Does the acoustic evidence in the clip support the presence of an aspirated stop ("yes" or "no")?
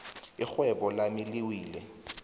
no